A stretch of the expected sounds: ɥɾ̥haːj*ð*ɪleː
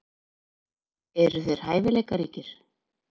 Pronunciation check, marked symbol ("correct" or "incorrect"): incorrect